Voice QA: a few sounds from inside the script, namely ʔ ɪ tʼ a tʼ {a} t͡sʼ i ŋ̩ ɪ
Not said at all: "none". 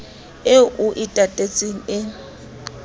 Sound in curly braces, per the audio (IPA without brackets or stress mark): e